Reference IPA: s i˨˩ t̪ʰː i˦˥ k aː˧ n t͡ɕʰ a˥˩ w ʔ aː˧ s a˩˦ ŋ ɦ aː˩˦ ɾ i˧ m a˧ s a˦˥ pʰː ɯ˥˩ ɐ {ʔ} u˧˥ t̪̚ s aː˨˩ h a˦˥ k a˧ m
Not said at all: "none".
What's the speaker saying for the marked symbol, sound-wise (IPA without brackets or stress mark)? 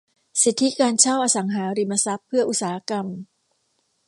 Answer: ʔ